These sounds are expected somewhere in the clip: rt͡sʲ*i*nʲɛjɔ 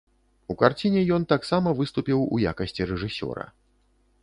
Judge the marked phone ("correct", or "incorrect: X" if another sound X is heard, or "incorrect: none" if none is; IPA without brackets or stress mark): correct